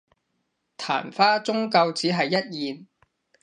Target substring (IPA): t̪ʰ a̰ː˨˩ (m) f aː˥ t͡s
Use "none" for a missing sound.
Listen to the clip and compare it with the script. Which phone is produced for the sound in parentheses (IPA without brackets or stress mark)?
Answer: n